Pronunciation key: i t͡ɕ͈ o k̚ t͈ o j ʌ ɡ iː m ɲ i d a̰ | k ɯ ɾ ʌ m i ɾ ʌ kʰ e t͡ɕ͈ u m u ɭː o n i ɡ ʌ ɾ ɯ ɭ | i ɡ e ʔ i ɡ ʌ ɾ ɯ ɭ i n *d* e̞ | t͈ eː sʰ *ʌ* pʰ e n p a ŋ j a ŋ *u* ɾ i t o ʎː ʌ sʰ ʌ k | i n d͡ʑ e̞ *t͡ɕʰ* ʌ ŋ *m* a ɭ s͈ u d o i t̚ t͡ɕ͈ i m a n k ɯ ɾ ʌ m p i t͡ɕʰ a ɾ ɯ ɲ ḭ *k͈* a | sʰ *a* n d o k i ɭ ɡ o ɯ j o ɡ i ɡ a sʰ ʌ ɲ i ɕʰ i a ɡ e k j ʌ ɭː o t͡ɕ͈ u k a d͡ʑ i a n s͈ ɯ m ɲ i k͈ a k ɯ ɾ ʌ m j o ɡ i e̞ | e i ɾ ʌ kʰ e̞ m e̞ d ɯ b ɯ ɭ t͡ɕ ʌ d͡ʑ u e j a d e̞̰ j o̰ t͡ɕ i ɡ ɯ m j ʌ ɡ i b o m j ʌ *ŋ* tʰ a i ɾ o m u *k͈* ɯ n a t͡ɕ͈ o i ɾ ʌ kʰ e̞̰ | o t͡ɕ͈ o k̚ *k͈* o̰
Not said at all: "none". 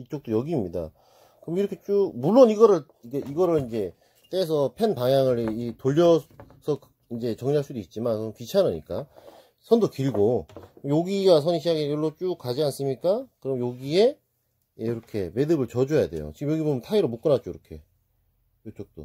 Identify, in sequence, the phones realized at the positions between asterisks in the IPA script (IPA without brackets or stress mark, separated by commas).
d͡ʑ, ʌ, ɯ, t͡ɕ, ɲ, k͈, ʌ, n, k͈, t͈